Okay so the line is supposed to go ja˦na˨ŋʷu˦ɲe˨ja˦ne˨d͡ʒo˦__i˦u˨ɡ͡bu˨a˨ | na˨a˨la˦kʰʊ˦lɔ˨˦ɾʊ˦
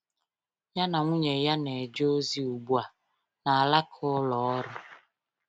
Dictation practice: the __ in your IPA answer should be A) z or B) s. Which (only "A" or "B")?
A